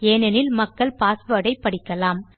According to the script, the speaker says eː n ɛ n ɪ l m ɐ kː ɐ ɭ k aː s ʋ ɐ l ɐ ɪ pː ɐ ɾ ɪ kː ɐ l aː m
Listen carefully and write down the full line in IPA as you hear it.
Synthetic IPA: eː n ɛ n ɪ l m ɐ kː ɐ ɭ p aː s ʋ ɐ ɽ ɐ ɪ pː ɐ ɽ ɪ kː ɐ l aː m